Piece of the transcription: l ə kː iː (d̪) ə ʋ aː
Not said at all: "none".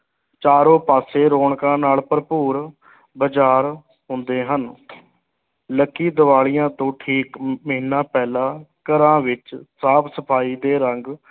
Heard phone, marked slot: d̪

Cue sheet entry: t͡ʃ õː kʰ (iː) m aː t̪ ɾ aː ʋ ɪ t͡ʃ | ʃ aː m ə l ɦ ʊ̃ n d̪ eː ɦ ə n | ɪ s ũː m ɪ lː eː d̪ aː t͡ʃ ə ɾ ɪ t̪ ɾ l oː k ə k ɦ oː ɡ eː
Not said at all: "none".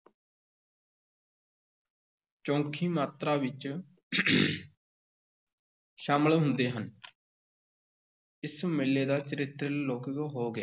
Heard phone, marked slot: iː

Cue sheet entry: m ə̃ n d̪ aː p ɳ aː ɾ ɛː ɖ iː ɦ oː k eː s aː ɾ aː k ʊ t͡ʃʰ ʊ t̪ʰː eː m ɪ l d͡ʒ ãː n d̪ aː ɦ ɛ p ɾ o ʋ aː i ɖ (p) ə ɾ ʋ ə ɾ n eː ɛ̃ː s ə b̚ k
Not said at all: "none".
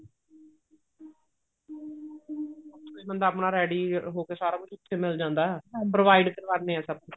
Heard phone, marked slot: k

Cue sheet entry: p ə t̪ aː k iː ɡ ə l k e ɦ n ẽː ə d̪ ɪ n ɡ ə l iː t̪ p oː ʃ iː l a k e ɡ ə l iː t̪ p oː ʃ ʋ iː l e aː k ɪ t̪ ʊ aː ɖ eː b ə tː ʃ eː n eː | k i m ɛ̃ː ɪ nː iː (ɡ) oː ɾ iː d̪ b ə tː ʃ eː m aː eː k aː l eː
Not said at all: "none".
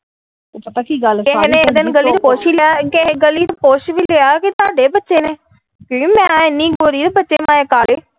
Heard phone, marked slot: ɡ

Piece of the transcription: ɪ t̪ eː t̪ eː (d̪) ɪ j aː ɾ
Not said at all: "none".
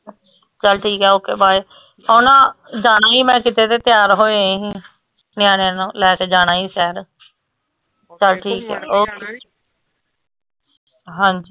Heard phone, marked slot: t̪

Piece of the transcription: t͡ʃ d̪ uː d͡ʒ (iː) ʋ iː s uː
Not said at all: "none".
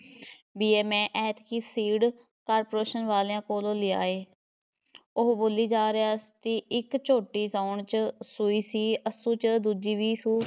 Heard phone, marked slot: iː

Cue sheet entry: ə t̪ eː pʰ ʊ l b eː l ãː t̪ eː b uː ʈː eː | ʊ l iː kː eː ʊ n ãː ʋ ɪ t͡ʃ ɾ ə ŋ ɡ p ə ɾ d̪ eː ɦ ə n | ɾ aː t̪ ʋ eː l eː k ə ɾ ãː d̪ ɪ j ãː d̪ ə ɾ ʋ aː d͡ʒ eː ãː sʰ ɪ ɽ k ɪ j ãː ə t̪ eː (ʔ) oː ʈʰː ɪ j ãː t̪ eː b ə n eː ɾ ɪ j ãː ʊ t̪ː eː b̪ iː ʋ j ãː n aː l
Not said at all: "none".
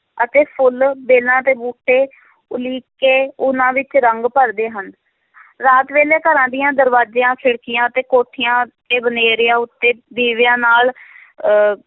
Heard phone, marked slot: k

